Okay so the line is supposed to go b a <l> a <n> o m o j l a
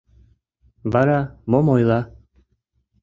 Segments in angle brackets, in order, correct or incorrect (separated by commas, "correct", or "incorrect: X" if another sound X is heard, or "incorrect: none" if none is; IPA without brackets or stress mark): incorrect: ɾ, incorrect: m